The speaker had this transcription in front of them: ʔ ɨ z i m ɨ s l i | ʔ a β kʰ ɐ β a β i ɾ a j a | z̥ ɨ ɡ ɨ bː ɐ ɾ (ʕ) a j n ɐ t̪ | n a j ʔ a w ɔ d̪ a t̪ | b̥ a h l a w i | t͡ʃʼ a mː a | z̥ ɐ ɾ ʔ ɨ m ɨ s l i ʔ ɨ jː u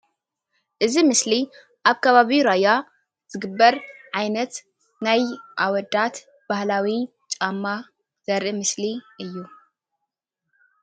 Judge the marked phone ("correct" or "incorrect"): correct